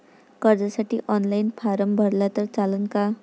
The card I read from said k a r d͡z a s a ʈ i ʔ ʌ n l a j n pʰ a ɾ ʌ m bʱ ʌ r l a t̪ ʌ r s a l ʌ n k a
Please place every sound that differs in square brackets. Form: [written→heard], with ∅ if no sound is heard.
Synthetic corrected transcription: k [a→ʌ] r d͡z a s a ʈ i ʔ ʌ n l a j n pʰ a ɾ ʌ m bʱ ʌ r l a t̪ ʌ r [s→t͡s] a l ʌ n k a